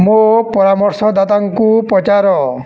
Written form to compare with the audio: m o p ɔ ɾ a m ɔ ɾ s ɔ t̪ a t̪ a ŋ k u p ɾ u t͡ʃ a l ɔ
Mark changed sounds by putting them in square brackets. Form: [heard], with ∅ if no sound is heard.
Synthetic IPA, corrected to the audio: m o p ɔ ɾ a m ɔ ɾ s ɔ [d̪] a t̪ a ŋ k u p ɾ [ɔ] t͡ʃ a [ɾ] ɔ